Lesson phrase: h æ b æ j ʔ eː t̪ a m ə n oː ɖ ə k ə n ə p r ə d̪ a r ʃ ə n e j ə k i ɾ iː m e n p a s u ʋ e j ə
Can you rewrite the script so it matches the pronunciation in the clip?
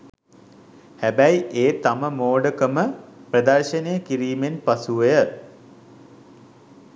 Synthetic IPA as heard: h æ b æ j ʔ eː t̪ a m ə m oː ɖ ə k ə m ə p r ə d̪ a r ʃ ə n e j ə k i ɾ iː m e n p a s u ʋ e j ə